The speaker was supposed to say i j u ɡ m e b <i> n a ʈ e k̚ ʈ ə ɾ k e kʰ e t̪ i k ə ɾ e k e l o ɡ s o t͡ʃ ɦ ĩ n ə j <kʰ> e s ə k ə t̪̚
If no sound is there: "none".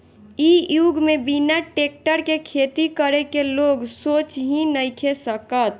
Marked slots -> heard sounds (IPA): i, kʰ

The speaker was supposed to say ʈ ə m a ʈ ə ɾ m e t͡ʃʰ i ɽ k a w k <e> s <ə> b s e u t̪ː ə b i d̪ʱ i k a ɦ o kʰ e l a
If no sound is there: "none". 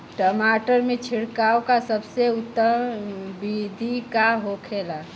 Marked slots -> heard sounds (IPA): a, ə

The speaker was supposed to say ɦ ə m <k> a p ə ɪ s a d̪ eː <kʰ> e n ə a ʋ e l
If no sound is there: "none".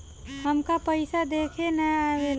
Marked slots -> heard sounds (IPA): k, kʰ

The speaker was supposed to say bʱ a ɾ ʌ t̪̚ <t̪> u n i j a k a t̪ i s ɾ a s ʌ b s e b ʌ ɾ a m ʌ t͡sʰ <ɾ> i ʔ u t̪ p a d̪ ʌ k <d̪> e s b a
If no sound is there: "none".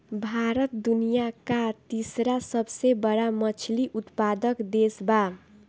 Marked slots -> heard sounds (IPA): d̪, l, d̪

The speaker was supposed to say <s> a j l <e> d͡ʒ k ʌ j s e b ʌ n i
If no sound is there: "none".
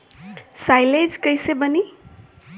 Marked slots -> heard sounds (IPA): s, e

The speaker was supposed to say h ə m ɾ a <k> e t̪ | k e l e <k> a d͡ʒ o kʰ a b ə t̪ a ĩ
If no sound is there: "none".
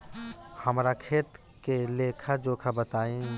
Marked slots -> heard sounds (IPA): kʰ, kʰ

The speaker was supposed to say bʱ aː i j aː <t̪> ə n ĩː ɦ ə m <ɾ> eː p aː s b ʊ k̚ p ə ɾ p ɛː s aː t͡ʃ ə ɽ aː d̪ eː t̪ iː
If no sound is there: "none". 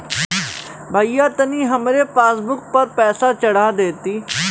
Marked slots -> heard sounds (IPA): t̪, ɾ

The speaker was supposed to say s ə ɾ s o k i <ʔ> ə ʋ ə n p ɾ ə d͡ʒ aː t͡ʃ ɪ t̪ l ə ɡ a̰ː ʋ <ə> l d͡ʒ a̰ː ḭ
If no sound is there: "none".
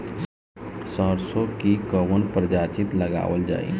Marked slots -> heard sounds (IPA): k, ə

